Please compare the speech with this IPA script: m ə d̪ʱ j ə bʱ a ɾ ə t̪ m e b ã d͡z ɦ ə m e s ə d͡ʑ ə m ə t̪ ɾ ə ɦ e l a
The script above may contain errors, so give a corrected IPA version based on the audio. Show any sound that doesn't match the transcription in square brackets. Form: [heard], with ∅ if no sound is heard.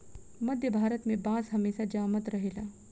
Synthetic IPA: m ə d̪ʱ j ə bʱ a ɾ ə t̪ m e b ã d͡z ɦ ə m e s [a] d͡ʑ [a] m ə t̪ ɾ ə ɦ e l a